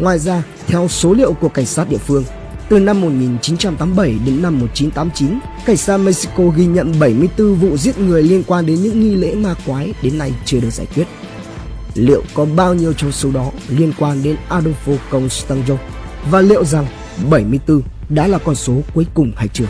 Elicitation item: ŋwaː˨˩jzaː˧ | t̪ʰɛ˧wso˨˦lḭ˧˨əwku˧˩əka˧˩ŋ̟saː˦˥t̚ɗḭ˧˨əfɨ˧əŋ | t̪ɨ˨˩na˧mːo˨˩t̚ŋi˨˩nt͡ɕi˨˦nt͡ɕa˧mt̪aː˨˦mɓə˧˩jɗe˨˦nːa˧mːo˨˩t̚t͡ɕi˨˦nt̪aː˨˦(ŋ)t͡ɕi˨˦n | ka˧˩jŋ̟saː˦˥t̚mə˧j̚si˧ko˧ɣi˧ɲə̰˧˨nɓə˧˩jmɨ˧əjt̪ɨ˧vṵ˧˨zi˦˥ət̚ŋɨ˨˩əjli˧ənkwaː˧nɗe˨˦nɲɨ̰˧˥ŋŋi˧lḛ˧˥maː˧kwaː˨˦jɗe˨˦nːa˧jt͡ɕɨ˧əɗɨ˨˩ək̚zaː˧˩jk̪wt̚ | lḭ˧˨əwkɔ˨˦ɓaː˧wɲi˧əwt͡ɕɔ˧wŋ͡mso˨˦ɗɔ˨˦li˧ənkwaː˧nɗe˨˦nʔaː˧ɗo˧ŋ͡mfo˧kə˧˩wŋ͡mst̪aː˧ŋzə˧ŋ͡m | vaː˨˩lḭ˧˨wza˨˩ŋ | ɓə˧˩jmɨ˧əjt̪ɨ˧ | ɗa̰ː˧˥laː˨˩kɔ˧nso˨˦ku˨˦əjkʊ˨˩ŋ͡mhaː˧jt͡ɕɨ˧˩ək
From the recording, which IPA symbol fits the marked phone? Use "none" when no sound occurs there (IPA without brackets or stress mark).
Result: m